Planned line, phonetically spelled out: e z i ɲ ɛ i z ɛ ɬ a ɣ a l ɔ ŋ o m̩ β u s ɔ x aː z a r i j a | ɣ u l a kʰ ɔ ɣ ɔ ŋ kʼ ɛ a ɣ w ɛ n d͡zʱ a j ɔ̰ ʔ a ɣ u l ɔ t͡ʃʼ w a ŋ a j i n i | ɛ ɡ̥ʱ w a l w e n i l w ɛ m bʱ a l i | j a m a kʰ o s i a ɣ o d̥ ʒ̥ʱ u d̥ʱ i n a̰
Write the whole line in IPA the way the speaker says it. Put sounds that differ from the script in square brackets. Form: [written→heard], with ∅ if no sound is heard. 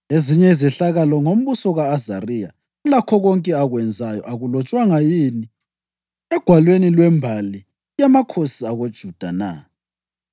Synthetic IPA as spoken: e z i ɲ ɛ i z ɛ ɬ a ɣ a l ɔ ŋ o m̩ β u s ɔ [x→ɣ] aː z a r i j a | ɣ u l a kʰ ɔ ɣ ɔ ŋ kʼ ɛ a ɣ w ɛ n d͡zʱ a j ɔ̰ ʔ a ɣ u l ɔ t͡ʃʼ w a ŋ a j i n i | ɛ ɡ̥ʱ w a l w e n i l w ɛ m bʱ a l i | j a m a kʰ o s i a ɣ o d̥ ʒ̥ʱ u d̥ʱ [i→a] n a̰

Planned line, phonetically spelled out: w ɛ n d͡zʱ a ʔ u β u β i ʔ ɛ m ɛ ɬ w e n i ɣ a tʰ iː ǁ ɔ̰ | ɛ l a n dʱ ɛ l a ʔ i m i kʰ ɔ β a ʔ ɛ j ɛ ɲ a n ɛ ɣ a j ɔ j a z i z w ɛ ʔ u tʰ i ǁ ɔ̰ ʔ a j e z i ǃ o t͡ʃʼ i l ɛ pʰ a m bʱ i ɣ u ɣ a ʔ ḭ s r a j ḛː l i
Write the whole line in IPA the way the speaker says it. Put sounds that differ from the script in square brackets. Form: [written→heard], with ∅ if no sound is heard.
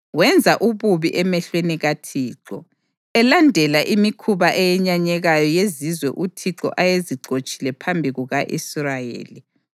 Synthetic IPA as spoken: w ɛ n d͡zʱ a ʔ u β u β i ʔ ɛ m ɛ ɬ w e n i ɣ a tʰ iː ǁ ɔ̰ | ɛ l a n dʱ ɛ l a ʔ i m i kʰ [ɔ→u] β a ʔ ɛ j ɛ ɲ a [n→ɲ] ɛ ɣ a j ɔ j [a→e] z i z w ɛ ʔ u tʰ i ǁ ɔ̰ ʔ a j e z i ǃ o t͡ʃʼ i l ɛ pʰ a m bʱ i ɣ u ɣ a ʔ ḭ s r a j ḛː l i

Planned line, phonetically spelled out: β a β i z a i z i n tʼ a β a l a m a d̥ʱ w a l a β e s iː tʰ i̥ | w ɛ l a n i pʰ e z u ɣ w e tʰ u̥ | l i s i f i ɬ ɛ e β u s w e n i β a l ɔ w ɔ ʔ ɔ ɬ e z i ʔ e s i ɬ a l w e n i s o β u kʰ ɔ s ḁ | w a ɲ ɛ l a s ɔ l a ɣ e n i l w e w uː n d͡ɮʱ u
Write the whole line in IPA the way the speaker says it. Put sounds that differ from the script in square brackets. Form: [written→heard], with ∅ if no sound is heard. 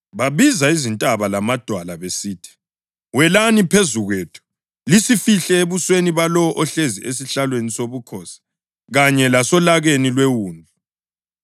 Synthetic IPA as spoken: β a β i z a i z i n tʼ a β a l a m a d̥ʱ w a l a β e s iː tʰ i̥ | w ɛ l a n i pʰ e z u ɣ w e tʰ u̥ | l i s i f i ɬ ɛ e β u s w e n i β a l ɔ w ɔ ʔ ɔ ɬ e z i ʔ e s i ɬ a l w e n i s o β u kʰ ɔ s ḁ | [w→ɣ] a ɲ ɛ l a s ɔ l a ɣ e n i l w e w uː n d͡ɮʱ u

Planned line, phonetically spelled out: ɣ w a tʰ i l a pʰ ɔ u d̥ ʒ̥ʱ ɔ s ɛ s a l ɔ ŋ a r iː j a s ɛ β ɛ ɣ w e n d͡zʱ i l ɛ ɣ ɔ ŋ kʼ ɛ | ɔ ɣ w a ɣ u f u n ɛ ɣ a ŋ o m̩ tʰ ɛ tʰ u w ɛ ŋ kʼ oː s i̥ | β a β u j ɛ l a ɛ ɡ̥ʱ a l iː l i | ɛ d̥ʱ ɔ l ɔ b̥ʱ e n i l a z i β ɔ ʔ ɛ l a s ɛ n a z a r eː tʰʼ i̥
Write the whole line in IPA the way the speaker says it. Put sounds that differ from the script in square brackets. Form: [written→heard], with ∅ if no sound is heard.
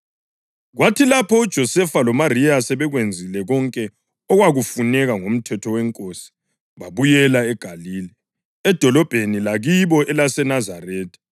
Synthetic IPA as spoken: ɣ w a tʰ i l a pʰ ɔ u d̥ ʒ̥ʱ ɔ s ɛ [s→f] a l ɔ [ŋ→m] a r [iː→i] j a s ɛ β ɛ ɣ w e n d͡zʱ i l ɛ ɣ ɔ ŋ kʼ ɛ | ɔ ɣ w a ɣ u f u n ɛ ɣ a ŋ o m̩ tʰ ɛ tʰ [u→ɔ] w ɛ ŋ kʼ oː s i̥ | β a β u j ɛ l a ɛ ɡ̥ʱ a l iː l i | ɛ d̥ʱ ɔ l ɔ b̥ʱ e n i l a [z→ɣ] i β ɔ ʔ ɛ l a s ɛ n a z a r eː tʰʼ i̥

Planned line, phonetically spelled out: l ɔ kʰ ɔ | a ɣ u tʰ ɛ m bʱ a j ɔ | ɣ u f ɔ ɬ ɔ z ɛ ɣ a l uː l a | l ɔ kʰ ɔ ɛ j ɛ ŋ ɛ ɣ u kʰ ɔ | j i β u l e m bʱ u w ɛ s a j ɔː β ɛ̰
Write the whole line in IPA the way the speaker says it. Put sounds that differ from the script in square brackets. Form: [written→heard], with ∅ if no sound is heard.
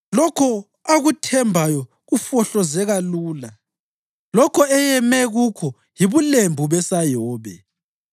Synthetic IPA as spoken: l ɔ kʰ ɔ | a ɣ u tʰ ɛ m bʱ a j ɔ | ɣ u f ɔ ɬ ɔ z ɛ ɣ a l uː l a | l ɔ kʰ ɔ ɛ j ɛ [ŋ→m] ɛ ɣ u kʰ ɔ | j i β u l e m bʱ u [w→β] ɛ s a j ɔː β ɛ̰

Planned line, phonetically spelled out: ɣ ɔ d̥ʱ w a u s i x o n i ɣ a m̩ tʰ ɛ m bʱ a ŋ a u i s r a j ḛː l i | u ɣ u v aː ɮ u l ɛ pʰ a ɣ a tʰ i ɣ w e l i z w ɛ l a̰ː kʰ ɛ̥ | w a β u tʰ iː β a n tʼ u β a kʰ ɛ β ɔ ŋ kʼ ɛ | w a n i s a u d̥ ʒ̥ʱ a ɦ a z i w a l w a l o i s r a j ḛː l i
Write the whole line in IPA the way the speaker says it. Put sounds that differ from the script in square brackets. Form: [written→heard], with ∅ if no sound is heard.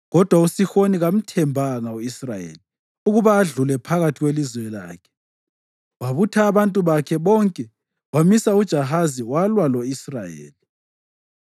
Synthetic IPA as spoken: ɣ ɔ d̥ʱ w a u s i x o n i ɣ a m̩ tʰ ɛ m bʱ a ŋ a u i s r a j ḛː l i | u ɣ u [v→β] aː ɮ u l ɛ pʰ a ɣ a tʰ i ɣ w e l i z w ɛ l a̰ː kʰ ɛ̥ | w a β u tʰ [iː→aː] β a n tʼ u β a kʰ ɛ β ɔ ŋ kʼ ɛ | w a [n→m] i s a u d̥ ʒ̥ʱ a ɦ a z i w a l w a l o i s r a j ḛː l i

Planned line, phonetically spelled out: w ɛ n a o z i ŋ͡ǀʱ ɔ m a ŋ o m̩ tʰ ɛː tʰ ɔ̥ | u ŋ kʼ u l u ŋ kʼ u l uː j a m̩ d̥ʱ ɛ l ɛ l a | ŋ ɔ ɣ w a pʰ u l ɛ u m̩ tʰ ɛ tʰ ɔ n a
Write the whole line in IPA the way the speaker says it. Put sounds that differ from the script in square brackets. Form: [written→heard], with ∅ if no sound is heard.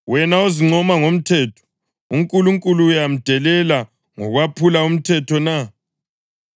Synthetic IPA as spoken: w ɛ n a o z i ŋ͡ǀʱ ɔ m a ŋ o m̩ tʰ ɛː tʰ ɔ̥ | u ŋ kʼ u l u ŋ kʼ u l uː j a m̩ d̥ʱ ɛ l ɛ l a | ŋ ɔ ɣ w a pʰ u l [ɛ→a] u m̩ tʰ ɛ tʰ ɔ n a

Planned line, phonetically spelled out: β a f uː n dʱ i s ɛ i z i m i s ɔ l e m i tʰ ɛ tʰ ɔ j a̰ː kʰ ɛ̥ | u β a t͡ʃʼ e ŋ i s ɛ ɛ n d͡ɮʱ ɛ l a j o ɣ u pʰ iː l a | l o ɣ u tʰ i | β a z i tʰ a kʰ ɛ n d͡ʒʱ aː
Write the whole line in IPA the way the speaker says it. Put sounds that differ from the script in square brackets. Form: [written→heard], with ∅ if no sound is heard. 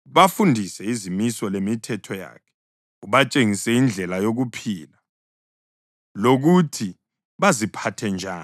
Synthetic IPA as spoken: β a f [uː→u] n dʱ i s ɛ i z i m i s ɔ l e m i tʰ ɛ tʰ ɔ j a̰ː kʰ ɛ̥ | u β a t͡ʃʼ e ŋ i s ɛ [ɛ→i] n d͡ɮʱ ɛ l a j o ɣ u pʰ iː l a | l o ɣ u tʰ i | β a z i [tʰ→pʰ] a [kʰ→tʰ] ɛ n d͡ʒʱ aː

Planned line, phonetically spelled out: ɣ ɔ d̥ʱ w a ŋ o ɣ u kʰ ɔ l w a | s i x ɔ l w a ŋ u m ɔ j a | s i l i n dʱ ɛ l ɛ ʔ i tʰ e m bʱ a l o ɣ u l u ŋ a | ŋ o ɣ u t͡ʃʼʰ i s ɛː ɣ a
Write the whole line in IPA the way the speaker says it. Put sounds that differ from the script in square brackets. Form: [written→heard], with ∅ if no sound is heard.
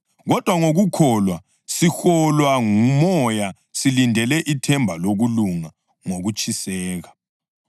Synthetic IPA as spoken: ɣ ɔ d̥ʱ w a ŋ o ɣ u kʰ ɔ l w a | s i x ɔ l w a ŋ u m ɔ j a | s i l i n dʱ ɛ l ɛ ʔ i tʰ [e→ɛ] m bʱ a l o ɣ u l u ŋ a | ŋ o ɣ u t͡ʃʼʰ i s ɛː ɣ a

